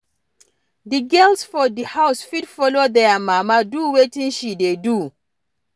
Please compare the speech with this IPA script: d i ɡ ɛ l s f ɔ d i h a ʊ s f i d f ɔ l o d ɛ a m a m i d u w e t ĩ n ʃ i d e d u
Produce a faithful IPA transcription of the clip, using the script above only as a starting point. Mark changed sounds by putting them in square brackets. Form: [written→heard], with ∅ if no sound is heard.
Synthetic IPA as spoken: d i ɡ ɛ l s f ɔ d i h a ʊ s f i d f ɔ l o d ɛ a m a m [i→a] d u w e t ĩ n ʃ i d e d u